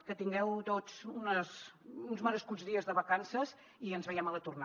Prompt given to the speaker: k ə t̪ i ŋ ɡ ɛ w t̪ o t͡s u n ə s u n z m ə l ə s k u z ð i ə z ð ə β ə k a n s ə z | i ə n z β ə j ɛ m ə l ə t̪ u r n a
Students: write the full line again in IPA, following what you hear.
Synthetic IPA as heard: k ə t̪ i ŋ ɡ ɛ w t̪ o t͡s u n ə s u n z m ə ɾ ə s k u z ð i ə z ð ə β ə k a n s ə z | i ə n z β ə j ɛ m ə l ə t̪ u r n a